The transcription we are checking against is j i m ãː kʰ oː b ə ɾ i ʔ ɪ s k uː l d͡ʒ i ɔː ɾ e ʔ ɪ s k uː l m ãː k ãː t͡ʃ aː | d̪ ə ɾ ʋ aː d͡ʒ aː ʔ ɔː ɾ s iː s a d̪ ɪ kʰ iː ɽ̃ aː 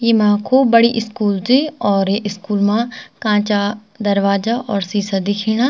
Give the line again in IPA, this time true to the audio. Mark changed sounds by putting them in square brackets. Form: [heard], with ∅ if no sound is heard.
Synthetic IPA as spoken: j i m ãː kʰ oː b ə [ɽ] i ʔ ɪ s k uː l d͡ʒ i ɔː ɾ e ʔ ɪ s k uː l m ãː k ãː t͡ʃ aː | d̪ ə ɾ ʋ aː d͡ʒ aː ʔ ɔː ɾ s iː s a d̪ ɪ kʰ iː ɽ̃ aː